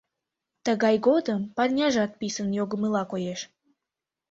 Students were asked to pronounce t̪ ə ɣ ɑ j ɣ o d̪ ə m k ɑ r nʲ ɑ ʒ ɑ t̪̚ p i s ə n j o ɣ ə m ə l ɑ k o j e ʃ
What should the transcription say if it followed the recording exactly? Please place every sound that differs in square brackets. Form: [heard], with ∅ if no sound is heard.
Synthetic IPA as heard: t̪ ə ɣ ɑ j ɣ o d̪ ə m [p] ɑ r nʲ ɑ ʒ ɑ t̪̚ p i s ə n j o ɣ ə m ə l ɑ k o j e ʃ